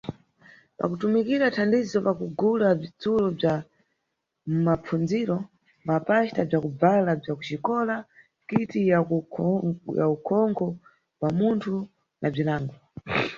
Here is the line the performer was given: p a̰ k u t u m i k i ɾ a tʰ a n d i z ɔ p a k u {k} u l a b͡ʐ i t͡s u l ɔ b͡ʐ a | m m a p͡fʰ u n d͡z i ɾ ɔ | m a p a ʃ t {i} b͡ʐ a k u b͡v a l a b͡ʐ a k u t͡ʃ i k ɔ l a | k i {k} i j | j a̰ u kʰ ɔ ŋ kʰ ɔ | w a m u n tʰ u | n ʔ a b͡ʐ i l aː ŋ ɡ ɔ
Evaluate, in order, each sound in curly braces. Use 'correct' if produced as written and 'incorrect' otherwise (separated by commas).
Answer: incorrect, incorrect, incorrect